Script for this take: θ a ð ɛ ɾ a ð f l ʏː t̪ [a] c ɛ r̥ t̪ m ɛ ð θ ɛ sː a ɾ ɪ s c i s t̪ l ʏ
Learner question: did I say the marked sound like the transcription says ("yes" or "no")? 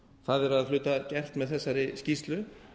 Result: yes